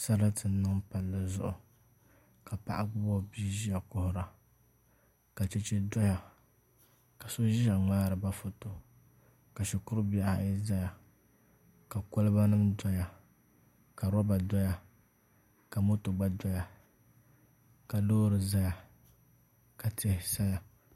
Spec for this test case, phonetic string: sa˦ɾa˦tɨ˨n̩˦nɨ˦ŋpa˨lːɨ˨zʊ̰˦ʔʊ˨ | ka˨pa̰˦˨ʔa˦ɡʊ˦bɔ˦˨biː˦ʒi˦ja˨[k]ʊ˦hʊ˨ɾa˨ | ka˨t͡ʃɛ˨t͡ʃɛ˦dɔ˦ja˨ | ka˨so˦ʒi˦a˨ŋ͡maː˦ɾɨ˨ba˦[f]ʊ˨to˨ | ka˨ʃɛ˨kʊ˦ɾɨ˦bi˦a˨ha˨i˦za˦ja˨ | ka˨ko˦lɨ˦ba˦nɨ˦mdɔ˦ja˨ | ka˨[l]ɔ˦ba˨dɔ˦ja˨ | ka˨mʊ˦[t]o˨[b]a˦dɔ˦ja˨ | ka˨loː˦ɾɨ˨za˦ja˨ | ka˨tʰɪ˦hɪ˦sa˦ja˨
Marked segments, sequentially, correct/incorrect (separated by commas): correct, correct, incorrect, correct, incorrect